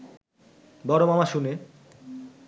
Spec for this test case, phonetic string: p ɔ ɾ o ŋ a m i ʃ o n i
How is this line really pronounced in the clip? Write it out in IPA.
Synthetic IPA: b ɔ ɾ o m a m a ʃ u n e